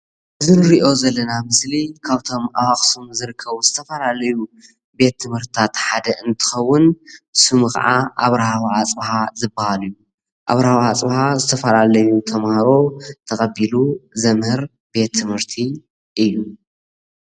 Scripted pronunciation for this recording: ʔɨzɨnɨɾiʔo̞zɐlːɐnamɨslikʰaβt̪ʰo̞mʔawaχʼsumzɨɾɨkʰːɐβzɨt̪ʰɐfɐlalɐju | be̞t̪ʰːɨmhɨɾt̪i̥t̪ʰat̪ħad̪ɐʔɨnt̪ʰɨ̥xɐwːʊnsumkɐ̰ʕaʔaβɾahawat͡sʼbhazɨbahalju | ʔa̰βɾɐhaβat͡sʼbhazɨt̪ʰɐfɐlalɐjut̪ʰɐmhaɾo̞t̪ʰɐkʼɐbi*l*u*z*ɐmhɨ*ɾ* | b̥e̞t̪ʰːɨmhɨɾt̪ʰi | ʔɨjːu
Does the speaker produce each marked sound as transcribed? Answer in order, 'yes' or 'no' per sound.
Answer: yes, yes, yes

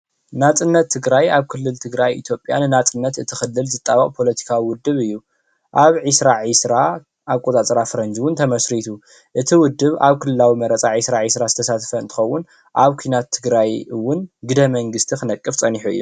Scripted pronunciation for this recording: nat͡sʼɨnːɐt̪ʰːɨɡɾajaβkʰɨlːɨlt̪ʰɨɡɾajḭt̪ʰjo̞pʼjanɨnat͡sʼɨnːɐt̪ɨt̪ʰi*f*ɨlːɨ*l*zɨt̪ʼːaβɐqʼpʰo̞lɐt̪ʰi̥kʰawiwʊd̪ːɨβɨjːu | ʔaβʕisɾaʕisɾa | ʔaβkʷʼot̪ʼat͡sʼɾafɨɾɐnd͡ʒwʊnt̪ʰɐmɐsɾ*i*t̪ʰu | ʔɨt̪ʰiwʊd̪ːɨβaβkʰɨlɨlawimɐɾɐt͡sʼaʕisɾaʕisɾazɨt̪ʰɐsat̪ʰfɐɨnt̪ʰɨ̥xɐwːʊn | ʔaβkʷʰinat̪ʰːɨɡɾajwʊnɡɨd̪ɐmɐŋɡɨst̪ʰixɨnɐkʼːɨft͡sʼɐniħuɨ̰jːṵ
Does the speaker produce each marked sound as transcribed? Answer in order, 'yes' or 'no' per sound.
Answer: no, yes, yes

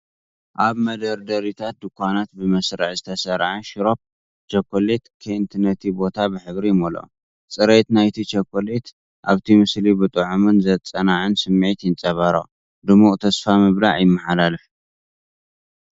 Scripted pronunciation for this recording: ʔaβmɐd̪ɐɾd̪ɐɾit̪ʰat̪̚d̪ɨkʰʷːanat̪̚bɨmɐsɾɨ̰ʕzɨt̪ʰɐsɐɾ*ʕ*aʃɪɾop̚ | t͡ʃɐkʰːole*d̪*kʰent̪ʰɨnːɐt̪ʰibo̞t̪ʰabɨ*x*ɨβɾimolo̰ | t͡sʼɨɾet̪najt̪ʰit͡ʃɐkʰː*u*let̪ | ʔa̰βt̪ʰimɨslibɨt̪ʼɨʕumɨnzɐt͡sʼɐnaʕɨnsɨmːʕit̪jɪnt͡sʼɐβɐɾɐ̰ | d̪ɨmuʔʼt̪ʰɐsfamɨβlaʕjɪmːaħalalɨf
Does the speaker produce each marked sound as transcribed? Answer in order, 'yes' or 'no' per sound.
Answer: yes, no, no, no

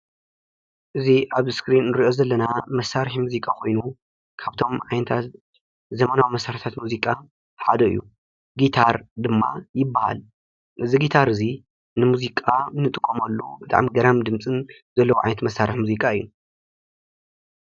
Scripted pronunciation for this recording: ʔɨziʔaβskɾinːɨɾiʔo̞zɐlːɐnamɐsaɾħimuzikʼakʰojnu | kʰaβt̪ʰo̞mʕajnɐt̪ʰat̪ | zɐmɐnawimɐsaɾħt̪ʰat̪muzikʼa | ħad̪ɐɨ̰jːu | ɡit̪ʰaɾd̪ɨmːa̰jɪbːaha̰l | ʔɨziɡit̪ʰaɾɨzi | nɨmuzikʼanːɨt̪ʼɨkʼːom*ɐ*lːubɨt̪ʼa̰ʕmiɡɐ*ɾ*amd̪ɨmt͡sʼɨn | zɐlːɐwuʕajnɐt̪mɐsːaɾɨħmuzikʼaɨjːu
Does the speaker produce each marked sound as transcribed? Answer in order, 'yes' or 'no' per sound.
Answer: yes, yes

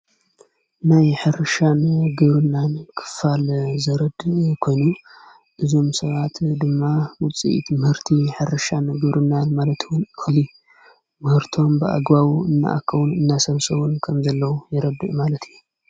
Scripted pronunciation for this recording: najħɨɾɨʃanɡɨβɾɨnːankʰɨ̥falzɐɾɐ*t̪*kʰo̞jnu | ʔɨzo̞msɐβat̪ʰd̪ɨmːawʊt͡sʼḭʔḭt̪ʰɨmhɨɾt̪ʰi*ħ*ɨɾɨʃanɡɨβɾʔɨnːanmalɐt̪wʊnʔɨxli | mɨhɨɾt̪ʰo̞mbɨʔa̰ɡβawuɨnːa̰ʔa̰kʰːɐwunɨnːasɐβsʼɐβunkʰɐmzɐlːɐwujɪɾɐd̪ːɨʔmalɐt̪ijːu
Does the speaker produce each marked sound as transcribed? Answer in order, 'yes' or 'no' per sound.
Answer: no, yes

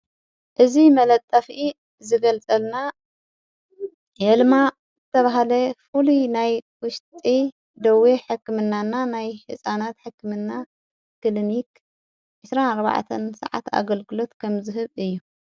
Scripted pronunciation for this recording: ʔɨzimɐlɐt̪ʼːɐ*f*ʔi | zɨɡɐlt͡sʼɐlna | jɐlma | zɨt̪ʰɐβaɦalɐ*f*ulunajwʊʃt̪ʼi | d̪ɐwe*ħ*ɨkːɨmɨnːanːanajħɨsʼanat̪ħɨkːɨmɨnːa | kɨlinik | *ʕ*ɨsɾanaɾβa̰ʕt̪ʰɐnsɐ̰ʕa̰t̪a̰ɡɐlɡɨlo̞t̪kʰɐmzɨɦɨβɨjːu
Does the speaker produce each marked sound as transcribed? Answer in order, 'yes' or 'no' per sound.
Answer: yes, yes, yes, yes

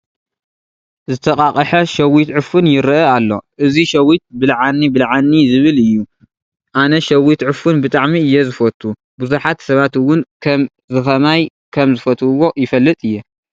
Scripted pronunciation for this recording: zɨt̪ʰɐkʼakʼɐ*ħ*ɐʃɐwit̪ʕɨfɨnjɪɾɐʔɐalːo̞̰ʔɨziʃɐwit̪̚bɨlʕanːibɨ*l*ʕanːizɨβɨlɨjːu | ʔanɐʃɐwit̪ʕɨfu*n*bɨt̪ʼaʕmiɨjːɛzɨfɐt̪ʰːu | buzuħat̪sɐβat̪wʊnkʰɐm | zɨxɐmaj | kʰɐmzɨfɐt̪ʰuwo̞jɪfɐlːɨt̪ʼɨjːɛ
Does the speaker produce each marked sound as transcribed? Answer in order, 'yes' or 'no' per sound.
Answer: yes, yes, yes

